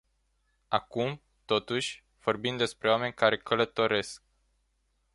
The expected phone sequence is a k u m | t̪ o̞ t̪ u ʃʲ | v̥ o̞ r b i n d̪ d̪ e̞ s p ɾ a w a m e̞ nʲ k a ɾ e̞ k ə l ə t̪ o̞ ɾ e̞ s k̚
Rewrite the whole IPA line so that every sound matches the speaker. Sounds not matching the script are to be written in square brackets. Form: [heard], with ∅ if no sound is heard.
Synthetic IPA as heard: a k u m | t̪ o̞ t̪ u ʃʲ | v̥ o̞ r b i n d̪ d̪ e̞ s p ɾ [e] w a m e̞ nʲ k a ɾ e̞ k ə l ə t̪ o̞ ɾ e̞ s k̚